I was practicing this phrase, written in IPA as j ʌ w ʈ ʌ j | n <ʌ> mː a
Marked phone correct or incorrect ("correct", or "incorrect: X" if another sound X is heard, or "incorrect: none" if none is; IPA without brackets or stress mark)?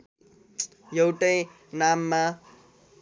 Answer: incorrect: a